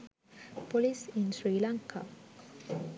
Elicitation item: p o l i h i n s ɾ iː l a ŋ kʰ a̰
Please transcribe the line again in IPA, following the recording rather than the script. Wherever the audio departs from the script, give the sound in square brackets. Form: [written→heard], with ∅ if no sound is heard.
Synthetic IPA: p o l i [h→s] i n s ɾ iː l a ŋ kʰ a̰